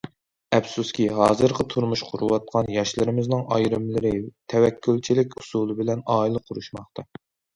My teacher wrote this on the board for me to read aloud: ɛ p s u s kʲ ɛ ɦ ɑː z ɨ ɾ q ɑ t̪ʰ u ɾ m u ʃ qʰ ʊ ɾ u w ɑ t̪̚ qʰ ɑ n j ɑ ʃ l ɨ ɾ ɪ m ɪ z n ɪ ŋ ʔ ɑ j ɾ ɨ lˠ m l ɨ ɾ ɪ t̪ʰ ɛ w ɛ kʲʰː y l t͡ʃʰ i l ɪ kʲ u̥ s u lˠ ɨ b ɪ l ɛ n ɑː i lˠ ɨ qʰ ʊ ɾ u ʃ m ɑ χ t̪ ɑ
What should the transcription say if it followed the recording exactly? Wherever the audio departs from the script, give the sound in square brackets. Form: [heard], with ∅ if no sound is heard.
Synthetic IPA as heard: ɛ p s u s kʲ [i] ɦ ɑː z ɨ ɾ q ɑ t̪ʰ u ɾ m u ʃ qʰ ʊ ɾ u w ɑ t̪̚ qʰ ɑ n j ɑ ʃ l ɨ ɾ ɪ m ɪ z n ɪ ŋ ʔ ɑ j ɾ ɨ [∅] m l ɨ ɾ ɪ t̪ʰ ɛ w ɛ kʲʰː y l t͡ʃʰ i l ɪ kʲ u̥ s u lˠ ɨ b ɪ l ɛ n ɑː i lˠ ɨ qʰ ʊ ɾ u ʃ m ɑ χ t̪ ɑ